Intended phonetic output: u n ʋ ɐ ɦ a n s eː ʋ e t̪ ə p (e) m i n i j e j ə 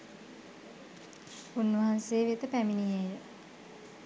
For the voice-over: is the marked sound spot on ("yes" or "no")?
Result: no